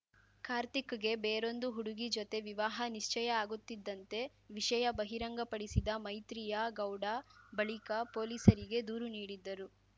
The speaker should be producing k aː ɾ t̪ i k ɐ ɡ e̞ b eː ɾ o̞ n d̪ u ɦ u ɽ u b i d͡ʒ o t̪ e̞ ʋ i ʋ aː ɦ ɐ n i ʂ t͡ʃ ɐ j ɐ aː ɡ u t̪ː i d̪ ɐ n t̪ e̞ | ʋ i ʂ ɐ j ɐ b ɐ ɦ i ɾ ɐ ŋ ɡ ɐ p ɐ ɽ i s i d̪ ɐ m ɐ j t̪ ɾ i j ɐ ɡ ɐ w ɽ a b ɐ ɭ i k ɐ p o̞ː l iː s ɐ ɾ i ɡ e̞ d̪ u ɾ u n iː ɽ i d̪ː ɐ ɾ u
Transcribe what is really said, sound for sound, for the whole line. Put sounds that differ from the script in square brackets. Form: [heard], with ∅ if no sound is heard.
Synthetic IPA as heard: k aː ɾ t̪ i k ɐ ɡ e̞ b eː ɾ o̞ n d̪ u ɦ u ɽ u [ɡ] i d͡ʒ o t̪ e̞ ʋ i ʋ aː ɦ ɐ n i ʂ t͡ʃ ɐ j ɐ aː ɡ u t̪ː i [d̪ː] ɐ n t̪ e̞ | ʋ i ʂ ɐ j ɐ b ɐ ɦ i ɾ ɐ ŋ ɡ ɐ p ɐ ɽ i s i d̪ ɐ m ɐ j t̪ ɾ i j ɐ ɡ ɐ w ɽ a b ɐ ɭ i k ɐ p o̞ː l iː s ɐ ɾ i ɡ e̞ d̪ [uː] ɾ u n iː ɽ i d̪ː ɐ ɾ u